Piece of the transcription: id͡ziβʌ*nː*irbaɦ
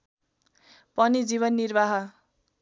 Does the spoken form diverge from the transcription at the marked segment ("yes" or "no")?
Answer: no